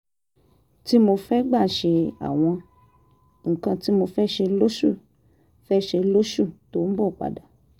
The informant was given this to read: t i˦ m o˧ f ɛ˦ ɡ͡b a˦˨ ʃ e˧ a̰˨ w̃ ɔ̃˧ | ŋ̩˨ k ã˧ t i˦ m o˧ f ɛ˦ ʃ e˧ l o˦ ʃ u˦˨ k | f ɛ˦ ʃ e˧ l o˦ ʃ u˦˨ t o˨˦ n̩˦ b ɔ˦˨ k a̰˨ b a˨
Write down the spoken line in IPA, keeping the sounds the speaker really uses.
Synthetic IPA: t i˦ m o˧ f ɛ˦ ɡ͡b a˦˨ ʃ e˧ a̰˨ w̃ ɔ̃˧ | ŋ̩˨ k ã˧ t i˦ m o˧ f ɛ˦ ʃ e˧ l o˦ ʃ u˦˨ | f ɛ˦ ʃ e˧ l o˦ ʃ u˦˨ t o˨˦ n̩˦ b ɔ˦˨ k͡p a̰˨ d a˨